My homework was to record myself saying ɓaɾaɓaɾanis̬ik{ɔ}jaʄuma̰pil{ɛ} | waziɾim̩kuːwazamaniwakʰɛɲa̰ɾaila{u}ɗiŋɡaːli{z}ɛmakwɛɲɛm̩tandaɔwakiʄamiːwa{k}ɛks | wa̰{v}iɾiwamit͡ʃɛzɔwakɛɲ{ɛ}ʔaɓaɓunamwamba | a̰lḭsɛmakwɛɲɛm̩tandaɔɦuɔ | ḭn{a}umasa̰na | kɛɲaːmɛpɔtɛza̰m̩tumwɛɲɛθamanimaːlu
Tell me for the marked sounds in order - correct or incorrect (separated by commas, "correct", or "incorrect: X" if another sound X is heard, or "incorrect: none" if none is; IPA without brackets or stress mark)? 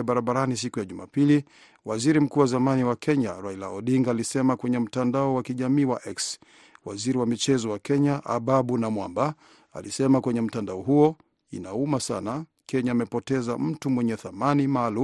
incorrect: u, incorrect: i, incorrect: ɔ, incorrect: s, incorrect: ʔ, incorrect: z, incorrect: a, correct